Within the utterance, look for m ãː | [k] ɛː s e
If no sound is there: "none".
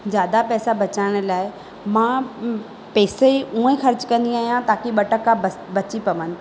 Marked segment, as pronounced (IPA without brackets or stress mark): p